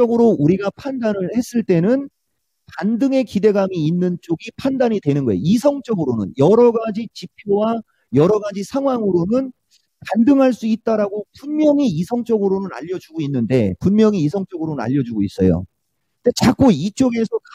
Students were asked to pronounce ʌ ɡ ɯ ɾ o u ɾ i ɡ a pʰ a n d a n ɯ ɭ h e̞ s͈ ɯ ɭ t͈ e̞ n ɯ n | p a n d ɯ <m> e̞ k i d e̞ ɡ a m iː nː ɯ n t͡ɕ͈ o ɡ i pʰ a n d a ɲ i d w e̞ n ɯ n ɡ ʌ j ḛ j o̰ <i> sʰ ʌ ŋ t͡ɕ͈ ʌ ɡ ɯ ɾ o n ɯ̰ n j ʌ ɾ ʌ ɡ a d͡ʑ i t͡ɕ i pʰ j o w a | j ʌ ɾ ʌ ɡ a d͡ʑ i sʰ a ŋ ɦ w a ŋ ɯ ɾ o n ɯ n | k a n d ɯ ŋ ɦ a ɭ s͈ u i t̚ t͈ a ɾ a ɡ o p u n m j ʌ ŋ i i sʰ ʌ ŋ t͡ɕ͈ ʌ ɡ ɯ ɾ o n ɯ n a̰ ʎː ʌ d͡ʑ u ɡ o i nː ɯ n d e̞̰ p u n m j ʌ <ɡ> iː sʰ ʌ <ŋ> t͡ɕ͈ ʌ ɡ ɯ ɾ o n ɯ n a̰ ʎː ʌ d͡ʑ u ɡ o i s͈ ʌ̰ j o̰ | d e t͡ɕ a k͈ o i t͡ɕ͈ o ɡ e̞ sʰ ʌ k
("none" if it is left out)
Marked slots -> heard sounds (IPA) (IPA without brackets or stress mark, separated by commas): ŋ, i, ŋ, ŋ